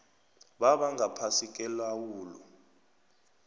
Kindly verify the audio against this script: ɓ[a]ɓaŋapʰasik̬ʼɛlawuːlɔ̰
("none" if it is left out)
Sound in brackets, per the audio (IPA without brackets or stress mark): a